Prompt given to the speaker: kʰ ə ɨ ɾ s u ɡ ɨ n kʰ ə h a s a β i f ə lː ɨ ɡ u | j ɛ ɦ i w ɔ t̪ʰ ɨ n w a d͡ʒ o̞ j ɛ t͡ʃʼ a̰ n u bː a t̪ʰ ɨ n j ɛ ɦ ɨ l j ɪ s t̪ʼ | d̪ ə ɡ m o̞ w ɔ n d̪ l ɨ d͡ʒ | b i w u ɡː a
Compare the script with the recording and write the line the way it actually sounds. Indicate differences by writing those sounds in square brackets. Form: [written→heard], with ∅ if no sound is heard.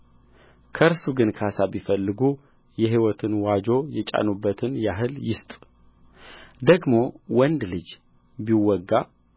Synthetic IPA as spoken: kʰ ə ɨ ɾ s u ɡ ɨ n kʰ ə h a s a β i f ə lː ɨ ɡ u | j ɛ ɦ i w ɔ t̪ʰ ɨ n w a d͡ʒ o̞ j ɛ t͡ʃʼ a̰ n u bː [a→ə] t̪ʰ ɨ n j [ɛ→a] ɦ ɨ l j ɪ s t̪ʼ | d̪ ə ɡ m o̞ w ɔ n d̪ l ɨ d͡ʒ | b i w [u→ɔ] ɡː a